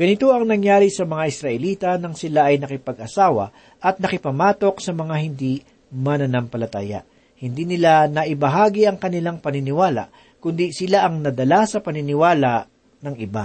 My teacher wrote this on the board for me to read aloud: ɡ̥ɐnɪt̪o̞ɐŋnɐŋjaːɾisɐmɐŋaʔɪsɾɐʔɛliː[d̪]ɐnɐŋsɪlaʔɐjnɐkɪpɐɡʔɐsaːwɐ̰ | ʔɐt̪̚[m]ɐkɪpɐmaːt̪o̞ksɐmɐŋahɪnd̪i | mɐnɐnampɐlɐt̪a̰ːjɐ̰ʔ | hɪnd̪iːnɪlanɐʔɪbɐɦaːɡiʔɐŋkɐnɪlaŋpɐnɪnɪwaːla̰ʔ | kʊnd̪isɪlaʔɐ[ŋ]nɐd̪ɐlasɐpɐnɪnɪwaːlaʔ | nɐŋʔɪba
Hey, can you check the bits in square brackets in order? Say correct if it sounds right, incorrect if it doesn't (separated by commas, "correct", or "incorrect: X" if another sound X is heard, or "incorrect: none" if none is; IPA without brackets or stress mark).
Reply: incorrect: t̪, incorrect: n, correct